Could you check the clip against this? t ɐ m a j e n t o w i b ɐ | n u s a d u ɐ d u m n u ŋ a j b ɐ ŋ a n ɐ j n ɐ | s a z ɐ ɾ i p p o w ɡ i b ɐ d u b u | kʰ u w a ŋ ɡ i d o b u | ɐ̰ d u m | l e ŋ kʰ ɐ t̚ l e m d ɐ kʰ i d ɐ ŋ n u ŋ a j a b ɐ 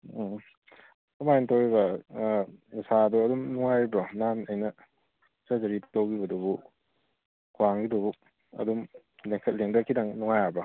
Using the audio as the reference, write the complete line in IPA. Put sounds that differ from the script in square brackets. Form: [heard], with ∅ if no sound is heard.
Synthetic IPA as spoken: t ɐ m a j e n t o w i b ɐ | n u s a d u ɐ d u m n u ŋ a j b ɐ [n] a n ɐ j n ɐ | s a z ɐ ɾ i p [t] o w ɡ i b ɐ d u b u | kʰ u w a ŋ ɡ i d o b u | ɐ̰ d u m | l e ŋ kʰ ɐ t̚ l e [ŋ] d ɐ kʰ i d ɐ ŋ n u ŋ a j a b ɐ